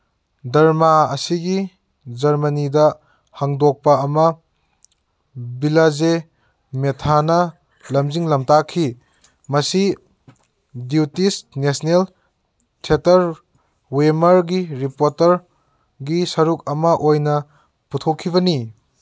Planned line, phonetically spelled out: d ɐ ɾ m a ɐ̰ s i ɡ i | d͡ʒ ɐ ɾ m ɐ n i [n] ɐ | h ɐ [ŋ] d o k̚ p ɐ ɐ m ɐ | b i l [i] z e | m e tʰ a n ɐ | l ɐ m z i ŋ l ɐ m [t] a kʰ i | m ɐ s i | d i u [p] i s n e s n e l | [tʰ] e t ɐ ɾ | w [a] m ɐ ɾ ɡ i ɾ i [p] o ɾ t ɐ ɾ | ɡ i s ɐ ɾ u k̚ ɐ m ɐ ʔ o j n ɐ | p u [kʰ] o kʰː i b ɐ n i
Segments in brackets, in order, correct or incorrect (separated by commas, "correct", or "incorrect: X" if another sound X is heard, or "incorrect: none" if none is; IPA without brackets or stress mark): incorrect: d, correct, incorrect: a, correct, incorrect: t, correct, incorrect: e, correct, incorrect: tʰ